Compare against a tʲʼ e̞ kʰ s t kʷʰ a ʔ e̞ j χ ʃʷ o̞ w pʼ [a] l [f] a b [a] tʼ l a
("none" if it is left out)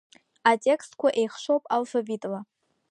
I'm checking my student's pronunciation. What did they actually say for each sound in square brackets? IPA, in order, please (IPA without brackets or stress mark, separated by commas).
a, f, i